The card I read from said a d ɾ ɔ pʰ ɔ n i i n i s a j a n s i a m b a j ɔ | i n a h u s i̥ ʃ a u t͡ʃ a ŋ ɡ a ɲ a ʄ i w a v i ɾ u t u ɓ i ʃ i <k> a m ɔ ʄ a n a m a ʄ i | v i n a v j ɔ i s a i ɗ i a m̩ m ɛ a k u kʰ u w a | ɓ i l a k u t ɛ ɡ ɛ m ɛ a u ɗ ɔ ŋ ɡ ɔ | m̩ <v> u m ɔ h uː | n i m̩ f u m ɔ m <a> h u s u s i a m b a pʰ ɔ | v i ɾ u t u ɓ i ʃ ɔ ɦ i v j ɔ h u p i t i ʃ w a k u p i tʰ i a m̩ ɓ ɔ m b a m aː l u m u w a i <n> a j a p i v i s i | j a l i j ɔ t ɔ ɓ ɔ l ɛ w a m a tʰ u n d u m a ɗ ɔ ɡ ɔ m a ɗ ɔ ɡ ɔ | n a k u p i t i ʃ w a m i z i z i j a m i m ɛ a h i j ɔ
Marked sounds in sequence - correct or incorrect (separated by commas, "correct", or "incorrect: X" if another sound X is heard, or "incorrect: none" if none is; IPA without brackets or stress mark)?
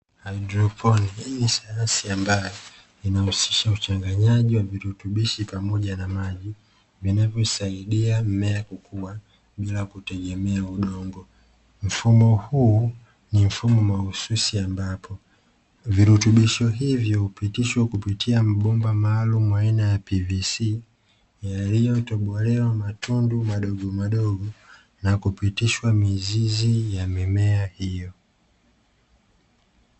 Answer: incorrect: p, incorrect: f, correct, correct